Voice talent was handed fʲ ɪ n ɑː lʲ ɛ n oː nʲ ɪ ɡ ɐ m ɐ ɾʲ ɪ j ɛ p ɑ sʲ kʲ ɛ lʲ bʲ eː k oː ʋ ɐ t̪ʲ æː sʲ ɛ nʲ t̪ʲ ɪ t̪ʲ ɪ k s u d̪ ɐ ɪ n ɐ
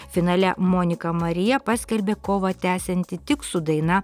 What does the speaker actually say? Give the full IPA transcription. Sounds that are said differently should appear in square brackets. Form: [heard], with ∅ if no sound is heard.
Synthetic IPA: fʲ ɪ n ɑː lʲ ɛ [m] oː nʲ ɪ [k] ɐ m ɐ ɾʲ ɪ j ɛ p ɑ sʲ kʲ ɛ lʲ bʲ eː k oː ʋ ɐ t̪ʲ æː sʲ ɛ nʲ t̪ʲ ɪ t̪ʲ ɪ k s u d̪ ɐ ɪ n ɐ

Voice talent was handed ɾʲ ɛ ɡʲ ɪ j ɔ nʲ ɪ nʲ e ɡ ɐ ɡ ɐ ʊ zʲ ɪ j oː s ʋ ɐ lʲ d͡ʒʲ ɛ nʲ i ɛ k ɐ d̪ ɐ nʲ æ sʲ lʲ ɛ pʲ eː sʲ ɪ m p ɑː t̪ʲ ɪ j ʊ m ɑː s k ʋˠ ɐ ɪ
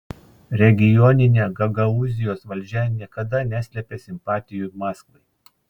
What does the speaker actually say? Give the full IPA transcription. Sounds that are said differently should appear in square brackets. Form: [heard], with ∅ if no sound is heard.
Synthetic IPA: ɾʲ ɛ ɡʲ ɪ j ɔ nʲ ɪ nʲ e ɡ ɐ ɡ ɐ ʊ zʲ ɪ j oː s ʋ ɐ lʲ d͡ʒʲ ɛ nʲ i ɛ k ɐ d̪ ɐ nʲ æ sʲ lʲ ɛ pʲ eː sʲ ɪ m p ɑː t̪ʲ ɪ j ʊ m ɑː s k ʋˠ ɐ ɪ

